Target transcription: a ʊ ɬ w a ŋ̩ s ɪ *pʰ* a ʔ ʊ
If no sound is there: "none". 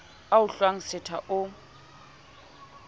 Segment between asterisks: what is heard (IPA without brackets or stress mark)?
tʰ